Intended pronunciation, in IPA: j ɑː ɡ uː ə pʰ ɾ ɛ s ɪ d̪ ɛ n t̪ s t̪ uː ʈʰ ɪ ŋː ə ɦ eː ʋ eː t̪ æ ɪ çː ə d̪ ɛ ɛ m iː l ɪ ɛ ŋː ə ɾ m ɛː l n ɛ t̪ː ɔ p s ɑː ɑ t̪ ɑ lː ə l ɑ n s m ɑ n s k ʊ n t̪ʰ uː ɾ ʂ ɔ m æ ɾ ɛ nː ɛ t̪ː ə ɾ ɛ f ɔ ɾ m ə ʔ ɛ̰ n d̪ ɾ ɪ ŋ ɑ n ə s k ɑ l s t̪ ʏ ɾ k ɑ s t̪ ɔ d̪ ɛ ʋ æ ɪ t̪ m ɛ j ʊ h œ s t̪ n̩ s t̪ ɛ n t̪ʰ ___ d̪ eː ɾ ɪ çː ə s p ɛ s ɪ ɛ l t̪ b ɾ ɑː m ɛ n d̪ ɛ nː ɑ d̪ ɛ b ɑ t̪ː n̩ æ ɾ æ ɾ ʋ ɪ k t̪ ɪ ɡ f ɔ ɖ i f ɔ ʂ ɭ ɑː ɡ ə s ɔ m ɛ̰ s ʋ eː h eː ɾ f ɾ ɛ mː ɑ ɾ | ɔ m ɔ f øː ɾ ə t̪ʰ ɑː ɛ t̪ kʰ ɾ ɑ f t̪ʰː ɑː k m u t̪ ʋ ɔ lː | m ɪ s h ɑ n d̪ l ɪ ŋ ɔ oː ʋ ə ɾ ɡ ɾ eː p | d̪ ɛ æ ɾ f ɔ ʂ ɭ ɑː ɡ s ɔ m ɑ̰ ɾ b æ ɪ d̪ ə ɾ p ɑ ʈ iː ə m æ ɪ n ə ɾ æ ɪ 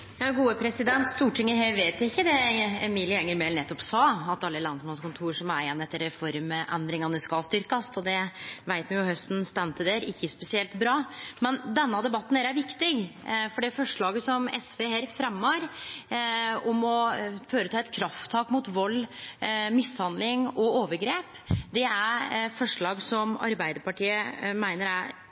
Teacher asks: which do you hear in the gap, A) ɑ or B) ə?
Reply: B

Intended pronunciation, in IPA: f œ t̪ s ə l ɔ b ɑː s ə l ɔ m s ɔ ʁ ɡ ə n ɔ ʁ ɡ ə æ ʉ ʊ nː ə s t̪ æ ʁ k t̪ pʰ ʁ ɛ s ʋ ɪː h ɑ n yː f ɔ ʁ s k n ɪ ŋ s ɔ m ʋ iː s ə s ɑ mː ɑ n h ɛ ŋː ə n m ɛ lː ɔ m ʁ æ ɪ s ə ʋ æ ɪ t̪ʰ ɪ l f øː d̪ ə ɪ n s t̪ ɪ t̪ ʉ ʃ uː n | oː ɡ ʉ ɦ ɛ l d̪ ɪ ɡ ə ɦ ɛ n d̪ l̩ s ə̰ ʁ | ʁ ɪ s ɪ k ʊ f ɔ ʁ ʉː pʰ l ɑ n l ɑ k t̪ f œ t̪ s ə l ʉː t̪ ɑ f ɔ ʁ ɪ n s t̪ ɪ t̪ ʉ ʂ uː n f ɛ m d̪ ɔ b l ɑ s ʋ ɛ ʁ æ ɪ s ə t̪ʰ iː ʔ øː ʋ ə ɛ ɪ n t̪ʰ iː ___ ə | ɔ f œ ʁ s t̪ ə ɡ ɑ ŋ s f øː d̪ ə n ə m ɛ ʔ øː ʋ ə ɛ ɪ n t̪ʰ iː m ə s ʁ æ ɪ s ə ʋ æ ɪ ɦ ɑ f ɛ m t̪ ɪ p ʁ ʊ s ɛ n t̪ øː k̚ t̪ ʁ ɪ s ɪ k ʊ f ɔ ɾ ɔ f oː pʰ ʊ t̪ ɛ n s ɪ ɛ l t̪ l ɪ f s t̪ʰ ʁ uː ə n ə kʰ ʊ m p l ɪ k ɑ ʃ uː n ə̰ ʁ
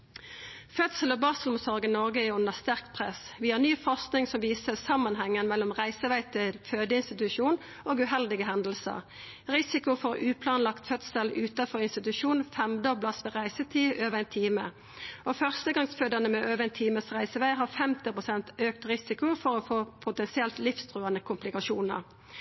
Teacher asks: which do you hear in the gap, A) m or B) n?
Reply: A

